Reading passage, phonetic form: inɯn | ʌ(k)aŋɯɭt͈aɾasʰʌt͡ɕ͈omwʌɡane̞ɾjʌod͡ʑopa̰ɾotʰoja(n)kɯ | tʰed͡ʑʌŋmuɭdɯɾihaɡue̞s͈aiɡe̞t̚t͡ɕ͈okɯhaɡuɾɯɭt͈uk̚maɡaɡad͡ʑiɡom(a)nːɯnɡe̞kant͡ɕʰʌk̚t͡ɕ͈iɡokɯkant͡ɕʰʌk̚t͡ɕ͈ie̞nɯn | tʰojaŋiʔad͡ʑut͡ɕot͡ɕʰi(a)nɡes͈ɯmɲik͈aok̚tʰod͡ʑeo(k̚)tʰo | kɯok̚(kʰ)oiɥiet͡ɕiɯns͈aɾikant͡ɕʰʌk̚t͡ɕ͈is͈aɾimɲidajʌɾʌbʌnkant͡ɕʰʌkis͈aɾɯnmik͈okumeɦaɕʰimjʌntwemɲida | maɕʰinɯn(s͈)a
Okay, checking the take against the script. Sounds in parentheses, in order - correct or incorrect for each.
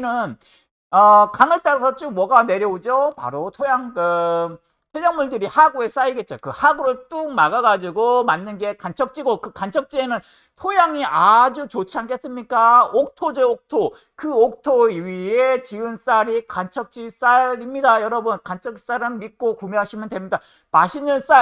correct, incorrect: ŋ, correct, correct, correct, incorrect: tʰ, correct

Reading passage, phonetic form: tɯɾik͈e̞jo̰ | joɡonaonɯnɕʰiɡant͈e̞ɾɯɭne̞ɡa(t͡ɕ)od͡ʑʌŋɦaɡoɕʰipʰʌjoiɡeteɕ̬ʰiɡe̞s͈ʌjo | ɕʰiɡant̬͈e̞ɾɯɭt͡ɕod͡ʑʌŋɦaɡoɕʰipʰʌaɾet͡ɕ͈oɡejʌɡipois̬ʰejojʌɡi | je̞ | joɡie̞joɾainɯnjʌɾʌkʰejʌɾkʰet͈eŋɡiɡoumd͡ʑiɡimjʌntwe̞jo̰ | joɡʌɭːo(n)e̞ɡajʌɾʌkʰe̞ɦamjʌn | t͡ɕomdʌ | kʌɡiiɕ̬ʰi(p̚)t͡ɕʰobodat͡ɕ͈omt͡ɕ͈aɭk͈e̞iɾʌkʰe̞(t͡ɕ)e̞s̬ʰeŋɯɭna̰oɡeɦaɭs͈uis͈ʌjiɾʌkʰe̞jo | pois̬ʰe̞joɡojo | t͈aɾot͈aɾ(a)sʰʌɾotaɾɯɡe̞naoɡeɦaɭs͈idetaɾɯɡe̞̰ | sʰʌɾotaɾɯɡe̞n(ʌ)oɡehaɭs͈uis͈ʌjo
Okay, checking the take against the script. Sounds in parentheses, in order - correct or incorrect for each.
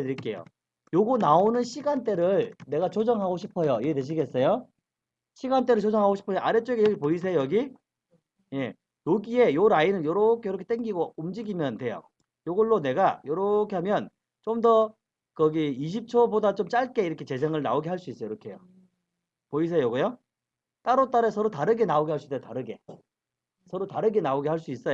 correct, correct, correct, correct, incorrect: e, incorrect: a

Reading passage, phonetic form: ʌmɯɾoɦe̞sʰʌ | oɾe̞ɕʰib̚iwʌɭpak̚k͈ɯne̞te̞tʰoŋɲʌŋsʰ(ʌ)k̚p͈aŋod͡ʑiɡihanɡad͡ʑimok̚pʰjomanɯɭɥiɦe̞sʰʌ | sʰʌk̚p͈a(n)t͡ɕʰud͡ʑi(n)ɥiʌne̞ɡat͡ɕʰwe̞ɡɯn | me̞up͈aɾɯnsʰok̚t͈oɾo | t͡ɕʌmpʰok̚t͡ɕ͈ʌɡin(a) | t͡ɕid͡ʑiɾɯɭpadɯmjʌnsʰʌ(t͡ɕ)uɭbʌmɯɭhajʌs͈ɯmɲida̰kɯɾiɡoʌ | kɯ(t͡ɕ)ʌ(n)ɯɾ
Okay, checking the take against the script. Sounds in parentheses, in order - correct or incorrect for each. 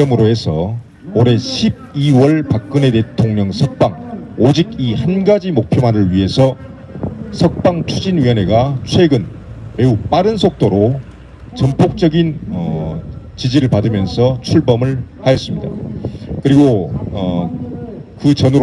correct, incorrect: ŋ, correct, incorrect: ʌ, incorrect: t͡ɕʰ, correct, correct

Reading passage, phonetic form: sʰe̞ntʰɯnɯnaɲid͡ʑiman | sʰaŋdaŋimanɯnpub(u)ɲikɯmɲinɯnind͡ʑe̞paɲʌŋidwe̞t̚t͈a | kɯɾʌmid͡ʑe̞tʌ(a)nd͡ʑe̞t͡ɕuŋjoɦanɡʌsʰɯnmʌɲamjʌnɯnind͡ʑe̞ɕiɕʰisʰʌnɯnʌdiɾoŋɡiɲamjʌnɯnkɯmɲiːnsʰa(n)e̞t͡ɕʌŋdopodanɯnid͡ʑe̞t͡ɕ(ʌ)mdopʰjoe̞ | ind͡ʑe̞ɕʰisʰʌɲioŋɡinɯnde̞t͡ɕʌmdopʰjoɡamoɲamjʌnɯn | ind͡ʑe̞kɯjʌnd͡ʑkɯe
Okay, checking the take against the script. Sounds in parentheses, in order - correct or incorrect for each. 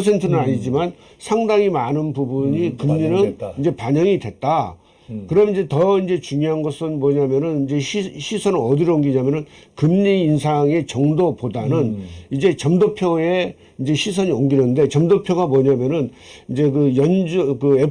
correct, incorrect: i, incorrect: ŋ, correct

